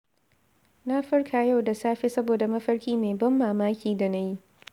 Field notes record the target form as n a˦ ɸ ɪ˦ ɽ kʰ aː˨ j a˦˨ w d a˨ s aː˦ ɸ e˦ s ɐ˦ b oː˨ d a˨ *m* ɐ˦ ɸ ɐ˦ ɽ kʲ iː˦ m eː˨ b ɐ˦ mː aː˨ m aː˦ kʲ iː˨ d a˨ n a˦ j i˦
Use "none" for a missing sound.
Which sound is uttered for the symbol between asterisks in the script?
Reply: m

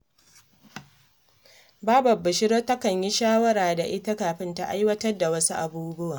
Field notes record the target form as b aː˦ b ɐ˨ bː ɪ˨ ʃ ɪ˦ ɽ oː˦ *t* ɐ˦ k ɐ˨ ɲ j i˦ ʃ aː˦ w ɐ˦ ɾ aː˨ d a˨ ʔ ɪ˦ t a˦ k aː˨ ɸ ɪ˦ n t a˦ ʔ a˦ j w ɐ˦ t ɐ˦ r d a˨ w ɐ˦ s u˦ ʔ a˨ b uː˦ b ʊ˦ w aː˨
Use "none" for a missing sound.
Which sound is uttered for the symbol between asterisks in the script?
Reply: t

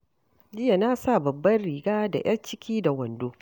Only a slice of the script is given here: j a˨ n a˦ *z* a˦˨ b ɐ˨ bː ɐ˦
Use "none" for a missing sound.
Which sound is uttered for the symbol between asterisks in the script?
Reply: s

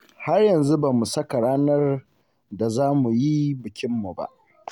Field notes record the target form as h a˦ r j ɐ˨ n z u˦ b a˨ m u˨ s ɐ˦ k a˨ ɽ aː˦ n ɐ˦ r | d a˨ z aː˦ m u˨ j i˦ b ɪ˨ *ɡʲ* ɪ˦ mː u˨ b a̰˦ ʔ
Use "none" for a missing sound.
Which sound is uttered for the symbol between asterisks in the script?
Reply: kʲ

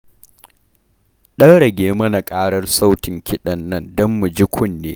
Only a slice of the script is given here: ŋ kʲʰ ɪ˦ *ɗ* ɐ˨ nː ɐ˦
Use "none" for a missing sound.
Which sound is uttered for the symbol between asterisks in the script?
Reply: ɗ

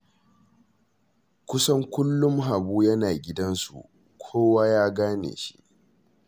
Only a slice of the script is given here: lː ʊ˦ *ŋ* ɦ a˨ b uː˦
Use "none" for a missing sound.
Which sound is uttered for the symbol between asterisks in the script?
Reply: m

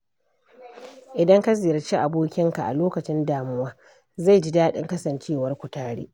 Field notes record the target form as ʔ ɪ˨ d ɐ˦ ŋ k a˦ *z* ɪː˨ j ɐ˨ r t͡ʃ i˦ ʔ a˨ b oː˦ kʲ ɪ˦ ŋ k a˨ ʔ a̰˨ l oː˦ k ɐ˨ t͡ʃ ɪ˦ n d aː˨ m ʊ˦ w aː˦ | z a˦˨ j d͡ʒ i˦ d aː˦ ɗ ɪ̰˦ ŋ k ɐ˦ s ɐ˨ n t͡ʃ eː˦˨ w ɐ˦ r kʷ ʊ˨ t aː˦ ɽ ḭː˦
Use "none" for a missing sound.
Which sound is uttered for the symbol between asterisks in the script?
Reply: z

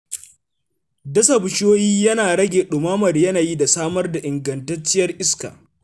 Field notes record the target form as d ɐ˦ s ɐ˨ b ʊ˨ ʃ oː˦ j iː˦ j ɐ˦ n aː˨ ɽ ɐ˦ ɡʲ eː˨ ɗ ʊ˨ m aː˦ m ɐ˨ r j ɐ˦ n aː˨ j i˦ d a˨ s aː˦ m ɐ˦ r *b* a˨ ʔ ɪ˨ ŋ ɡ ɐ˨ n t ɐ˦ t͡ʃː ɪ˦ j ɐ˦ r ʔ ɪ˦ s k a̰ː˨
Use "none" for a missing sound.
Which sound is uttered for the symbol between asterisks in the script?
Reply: d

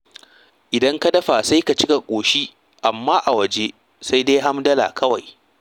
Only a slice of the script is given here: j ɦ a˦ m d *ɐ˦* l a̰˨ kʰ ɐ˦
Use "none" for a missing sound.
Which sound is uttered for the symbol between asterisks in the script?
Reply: ɐ˦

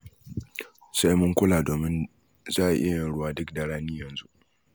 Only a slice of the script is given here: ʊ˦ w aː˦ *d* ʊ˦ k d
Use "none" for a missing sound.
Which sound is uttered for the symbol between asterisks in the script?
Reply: d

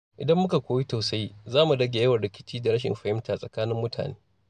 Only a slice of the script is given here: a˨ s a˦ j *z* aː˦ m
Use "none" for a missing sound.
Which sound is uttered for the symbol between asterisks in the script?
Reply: z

